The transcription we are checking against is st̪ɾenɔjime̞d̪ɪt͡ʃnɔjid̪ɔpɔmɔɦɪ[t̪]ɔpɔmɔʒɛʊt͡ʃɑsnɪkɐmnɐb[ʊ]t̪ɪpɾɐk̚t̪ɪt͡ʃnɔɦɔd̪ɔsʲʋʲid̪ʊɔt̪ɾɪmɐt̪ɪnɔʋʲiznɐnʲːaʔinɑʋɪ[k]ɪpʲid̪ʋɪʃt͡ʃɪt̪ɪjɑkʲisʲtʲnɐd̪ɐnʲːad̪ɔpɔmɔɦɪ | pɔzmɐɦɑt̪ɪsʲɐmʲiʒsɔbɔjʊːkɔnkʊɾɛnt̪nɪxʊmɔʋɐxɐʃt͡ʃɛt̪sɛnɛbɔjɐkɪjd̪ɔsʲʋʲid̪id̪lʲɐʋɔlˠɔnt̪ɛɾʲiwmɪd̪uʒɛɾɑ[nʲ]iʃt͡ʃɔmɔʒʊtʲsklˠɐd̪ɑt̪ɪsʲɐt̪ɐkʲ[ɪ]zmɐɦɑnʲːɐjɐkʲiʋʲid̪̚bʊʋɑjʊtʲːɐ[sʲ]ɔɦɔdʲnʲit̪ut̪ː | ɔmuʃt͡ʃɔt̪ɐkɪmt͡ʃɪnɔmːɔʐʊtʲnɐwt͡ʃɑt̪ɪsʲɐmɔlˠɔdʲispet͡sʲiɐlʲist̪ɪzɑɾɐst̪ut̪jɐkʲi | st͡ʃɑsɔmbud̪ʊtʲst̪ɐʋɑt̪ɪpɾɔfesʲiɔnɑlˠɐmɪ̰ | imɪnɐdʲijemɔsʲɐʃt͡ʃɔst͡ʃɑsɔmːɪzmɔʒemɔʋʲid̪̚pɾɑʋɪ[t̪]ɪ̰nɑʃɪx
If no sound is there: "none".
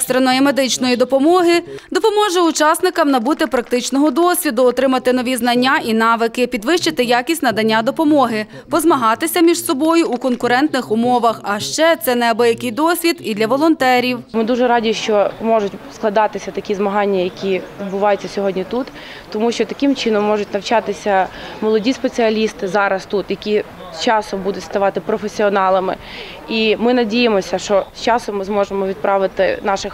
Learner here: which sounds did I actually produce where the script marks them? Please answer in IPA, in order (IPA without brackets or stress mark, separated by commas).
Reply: d̪, u, k, dʲ, i, sʲ, t̪